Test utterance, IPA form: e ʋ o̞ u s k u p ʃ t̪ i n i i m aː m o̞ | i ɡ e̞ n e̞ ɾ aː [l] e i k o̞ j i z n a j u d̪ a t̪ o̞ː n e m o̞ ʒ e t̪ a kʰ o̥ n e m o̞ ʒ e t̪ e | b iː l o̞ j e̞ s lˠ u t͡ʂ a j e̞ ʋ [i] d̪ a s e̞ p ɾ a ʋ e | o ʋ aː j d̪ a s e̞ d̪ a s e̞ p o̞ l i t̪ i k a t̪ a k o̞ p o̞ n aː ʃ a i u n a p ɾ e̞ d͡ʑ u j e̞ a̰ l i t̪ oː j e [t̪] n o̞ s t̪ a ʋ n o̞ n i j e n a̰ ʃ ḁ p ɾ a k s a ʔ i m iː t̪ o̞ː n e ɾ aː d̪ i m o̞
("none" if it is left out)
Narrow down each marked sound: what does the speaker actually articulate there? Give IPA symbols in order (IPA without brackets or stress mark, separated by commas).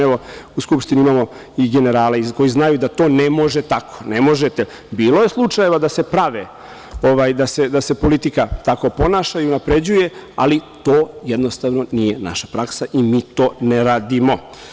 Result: l, a, d̪